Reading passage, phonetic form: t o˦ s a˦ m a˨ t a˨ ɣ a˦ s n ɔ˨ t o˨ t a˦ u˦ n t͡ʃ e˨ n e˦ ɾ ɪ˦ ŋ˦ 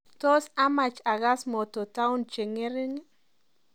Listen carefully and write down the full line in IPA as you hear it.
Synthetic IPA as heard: t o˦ s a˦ m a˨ t͡ʃ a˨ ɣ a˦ s m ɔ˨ t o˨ t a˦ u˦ n t͡ʃ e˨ ŋ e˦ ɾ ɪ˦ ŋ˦

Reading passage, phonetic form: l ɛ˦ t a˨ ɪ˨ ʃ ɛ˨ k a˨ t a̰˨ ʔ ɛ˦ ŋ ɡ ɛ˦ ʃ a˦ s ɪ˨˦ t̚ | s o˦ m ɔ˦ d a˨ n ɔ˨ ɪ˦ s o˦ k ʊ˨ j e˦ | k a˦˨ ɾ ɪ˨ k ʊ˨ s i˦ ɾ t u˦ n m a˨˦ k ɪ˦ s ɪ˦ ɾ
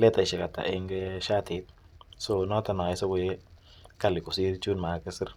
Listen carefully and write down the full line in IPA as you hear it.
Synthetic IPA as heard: l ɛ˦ t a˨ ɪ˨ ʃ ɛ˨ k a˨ t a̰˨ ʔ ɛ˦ ŋ ɡ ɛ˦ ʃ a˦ t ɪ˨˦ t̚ | s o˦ n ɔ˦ t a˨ n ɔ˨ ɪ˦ s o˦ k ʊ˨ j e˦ | k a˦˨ l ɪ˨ k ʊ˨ s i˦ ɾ t͡ʃ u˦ n m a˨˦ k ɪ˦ s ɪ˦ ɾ

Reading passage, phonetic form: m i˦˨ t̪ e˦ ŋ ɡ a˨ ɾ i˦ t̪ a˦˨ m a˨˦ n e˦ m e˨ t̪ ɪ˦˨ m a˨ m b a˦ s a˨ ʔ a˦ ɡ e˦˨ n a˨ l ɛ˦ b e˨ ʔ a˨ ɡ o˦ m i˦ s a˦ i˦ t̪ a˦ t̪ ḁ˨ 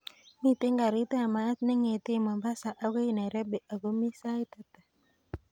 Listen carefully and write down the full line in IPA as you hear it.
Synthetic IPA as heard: m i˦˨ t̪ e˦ ŋ ɡ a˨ ɾ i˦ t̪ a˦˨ m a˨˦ n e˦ ŋ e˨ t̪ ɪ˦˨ m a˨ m b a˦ s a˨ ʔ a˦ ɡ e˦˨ n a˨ ɾ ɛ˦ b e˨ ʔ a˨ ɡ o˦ m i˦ s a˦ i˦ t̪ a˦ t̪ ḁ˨

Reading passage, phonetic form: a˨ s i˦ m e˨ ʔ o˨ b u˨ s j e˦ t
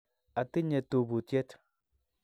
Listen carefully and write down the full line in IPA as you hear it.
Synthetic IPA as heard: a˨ t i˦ ɲ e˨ t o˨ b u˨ t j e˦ t

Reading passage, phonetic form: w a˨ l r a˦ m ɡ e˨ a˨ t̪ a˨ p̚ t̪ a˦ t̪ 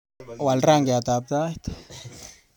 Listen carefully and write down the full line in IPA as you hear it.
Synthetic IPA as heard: w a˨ l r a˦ ŋ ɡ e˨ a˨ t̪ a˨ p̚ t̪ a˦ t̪

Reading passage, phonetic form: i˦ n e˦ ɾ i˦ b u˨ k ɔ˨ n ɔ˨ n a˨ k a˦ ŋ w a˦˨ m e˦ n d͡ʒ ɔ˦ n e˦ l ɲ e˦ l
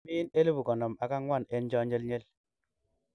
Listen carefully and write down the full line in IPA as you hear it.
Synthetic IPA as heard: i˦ n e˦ l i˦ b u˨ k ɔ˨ n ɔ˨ m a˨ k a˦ ŋ w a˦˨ n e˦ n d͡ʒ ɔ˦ ɲ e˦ l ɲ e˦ l

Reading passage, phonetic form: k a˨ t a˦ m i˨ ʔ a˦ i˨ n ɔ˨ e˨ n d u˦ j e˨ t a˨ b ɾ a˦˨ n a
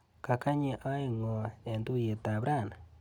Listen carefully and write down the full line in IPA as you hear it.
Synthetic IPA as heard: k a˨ k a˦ ɲ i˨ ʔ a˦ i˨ ŋ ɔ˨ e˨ n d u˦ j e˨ t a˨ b ɾ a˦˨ n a

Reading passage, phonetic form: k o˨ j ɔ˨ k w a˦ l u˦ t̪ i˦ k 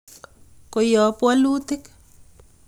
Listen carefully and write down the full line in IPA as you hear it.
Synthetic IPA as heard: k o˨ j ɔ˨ p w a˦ l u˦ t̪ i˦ k

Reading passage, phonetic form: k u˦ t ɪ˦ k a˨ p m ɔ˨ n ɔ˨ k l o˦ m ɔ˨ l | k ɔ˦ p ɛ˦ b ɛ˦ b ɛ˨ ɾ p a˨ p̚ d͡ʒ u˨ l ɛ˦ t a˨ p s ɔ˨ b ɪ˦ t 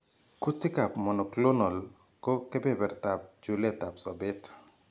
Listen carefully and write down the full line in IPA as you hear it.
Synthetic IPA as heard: k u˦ t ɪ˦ k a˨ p m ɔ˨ n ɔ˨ k l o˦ n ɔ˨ l | k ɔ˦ k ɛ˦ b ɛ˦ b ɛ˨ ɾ t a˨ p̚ d͡ʒ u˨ l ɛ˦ t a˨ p s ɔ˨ b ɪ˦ t

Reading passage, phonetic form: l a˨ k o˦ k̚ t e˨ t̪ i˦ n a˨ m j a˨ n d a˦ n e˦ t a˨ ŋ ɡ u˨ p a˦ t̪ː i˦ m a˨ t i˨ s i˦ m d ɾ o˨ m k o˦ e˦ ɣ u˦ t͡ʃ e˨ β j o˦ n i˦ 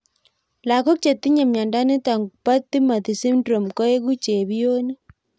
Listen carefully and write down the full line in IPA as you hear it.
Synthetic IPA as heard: l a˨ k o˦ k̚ t͡ʃ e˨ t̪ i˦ ɲ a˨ m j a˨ n d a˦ n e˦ t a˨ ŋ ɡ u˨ p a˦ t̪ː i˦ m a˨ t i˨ s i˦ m d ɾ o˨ m k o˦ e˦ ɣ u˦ t͡ʃ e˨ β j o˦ n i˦

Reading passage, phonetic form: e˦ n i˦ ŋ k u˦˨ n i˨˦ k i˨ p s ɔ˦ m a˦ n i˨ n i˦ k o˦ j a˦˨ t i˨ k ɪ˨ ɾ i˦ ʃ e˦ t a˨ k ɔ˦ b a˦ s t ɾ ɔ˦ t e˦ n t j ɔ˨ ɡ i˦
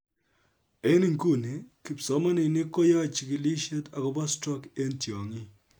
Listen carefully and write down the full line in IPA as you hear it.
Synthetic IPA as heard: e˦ n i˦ ŋ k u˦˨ n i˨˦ k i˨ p s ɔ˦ m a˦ n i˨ n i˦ k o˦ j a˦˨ t͡ʃ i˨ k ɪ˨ l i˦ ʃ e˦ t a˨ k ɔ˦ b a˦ s t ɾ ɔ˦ k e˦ n t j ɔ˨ ŋ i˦

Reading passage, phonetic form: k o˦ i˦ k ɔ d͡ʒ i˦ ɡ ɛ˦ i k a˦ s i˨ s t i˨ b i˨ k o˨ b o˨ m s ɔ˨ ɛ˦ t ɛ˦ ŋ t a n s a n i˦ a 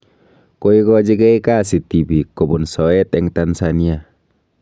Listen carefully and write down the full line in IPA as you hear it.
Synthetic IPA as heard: k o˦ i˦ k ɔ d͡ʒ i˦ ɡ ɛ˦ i k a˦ s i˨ t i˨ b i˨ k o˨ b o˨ n s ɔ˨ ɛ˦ t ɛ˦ ŋ t a n s a n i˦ a

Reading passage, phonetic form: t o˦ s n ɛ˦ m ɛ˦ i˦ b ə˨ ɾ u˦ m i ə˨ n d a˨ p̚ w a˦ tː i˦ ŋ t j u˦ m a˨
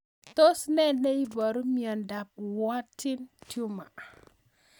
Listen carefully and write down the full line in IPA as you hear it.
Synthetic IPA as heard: t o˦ s n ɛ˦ n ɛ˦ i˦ b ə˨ ɾ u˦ m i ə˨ n d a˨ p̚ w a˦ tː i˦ n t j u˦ m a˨

